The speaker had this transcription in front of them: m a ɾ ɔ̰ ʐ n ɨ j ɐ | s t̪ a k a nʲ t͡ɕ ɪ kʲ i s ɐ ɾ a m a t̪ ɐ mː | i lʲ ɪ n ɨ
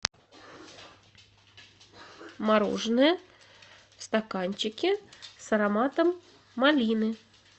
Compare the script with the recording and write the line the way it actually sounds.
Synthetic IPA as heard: m a ɾ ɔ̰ ʐ n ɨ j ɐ | s t̪ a k a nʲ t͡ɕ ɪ kʲ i s ɐ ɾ a m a t̪ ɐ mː | a lʲ i n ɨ